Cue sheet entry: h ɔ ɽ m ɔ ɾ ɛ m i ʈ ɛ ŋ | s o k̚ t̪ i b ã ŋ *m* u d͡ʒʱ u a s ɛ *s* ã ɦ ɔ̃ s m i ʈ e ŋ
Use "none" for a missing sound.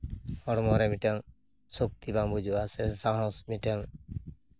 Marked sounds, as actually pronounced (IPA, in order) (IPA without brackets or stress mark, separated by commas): b, s